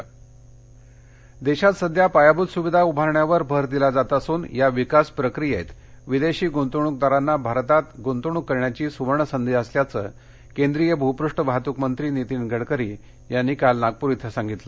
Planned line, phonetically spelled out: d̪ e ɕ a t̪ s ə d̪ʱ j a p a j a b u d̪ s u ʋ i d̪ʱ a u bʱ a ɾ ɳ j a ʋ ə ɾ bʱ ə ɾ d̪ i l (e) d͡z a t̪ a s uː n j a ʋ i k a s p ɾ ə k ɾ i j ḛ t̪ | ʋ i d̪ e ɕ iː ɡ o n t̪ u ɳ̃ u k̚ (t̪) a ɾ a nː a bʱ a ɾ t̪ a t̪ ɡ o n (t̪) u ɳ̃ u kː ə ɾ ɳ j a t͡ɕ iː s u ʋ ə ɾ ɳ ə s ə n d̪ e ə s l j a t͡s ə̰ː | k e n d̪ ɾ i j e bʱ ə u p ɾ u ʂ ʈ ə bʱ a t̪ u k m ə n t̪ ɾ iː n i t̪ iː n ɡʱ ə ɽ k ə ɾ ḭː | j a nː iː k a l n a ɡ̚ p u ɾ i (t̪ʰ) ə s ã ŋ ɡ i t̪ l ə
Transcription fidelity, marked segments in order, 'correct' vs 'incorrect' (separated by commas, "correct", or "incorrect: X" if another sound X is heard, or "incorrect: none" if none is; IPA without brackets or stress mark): incorrect: a, incorrect: d̪, correct, correct